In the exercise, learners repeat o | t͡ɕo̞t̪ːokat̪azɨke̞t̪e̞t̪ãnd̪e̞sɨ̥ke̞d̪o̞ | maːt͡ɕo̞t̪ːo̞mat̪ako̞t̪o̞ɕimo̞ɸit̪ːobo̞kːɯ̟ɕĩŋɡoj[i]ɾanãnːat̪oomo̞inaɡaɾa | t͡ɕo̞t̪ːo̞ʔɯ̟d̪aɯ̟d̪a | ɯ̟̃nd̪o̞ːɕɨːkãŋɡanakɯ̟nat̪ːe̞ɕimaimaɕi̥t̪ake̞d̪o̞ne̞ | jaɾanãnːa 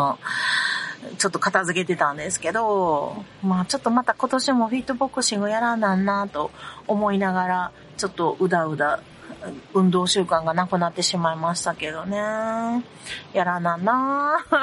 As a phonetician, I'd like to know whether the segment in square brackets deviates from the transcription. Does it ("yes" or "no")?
yes